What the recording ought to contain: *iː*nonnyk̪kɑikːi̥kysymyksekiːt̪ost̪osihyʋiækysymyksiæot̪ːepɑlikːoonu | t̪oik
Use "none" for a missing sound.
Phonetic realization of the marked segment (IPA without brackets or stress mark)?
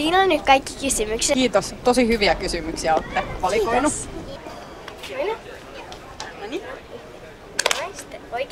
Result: iː